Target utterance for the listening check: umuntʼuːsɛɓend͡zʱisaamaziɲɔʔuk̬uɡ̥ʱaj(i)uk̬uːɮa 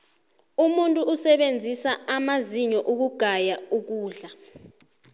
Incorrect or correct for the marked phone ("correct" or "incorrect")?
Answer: incorrect